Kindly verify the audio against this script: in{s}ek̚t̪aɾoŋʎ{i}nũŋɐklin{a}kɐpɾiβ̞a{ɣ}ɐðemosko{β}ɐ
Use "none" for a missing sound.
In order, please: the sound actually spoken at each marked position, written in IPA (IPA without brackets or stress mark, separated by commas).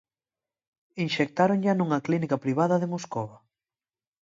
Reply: ʃ, a, i, ð, β